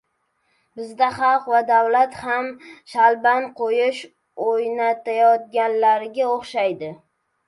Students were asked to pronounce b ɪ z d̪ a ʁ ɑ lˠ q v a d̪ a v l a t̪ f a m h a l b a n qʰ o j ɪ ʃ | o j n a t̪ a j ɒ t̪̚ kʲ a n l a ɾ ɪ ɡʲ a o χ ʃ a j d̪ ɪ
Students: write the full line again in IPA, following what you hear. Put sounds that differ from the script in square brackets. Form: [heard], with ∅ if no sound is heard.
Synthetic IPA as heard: b ɪ z d̪ a [χ] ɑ lˠ q v a d̪ a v l a t̪ [h] a m [ʃ] a l b a n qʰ o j ɪ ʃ | o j n a t̪ a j ɒ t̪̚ [ɡʲ] a n l a ɾ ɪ ɡʲ a o χ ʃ a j d̪ ɪ